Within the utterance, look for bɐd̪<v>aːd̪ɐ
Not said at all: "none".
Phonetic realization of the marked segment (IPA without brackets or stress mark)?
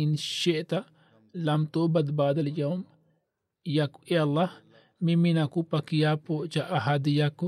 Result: b